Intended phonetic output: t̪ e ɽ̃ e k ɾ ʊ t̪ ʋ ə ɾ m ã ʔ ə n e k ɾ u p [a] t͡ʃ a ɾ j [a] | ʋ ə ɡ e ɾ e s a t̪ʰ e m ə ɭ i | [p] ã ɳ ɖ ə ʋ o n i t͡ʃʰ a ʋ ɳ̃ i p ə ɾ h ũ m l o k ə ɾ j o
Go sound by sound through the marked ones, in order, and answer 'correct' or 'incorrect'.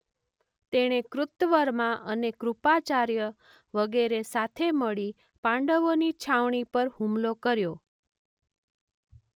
correct, incorrect: ə, correct

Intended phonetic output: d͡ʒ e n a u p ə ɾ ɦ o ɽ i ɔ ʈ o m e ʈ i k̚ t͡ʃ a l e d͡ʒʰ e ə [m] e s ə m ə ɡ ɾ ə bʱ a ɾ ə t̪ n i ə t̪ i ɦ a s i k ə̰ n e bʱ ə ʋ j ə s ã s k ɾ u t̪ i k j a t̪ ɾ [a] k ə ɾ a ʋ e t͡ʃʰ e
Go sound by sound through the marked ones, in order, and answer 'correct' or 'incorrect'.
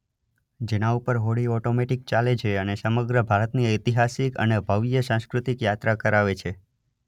incorrect: n, correct

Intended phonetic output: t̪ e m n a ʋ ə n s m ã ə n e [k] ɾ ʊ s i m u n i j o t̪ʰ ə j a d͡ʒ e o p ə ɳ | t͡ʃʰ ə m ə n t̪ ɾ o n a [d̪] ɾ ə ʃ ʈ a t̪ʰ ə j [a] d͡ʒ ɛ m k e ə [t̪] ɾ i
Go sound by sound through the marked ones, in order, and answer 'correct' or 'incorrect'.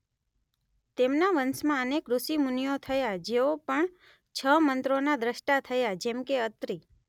correct, correct, correct, correct

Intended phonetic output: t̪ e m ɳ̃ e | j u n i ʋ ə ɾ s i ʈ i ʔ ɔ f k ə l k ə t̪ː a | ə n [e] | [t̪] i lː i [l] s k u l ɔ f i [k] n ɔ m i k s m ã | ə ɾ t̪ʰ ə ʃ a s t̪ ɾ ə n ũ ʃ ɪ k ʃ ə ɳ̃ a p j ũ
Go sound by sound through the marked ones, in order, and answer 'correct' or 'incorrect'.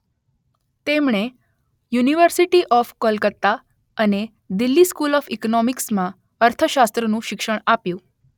correct, incorrect: d̪, incorrect: none, correct

